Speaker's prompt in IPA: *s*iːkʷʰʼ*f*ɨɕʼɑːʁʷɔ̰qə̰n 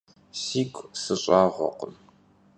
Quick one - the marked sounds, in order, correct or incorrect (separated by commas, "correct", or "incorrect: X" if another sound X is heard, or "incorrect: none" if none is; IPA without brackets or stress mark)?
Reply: correct, incorrect: s